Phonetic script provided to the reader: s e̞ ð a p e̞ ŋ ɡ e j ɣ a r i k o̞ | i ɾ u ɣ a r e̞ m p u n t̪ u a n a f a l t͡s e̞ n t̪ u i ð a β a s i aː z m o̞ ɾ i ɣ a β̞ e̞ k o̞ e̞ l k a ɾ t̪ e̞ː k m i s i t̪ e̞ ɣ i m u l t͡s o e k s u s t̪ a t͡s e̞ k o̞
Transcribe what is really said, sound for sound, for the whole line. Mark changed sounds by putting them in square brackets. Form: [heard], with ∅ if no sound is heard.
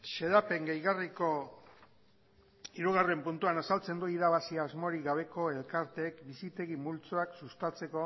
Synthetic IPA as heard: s e̞ ð a p e̞ ŋ ɡ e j ɣ a r i k o̞ | i ɾ u ɣ a r e̞ m p u n t̪ u a n a [s] a l t͡s e̞ n [d̪] u i ð a β a s i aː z m o̞ ɾ i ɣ a β̞ e̞ k o̞ e̞ l k a ɾ t̪ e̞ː k [b] i s i t̪ e̞ ɣ i m u l t͡s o [a] k s u s t̪ a t͡s e̞ k o̞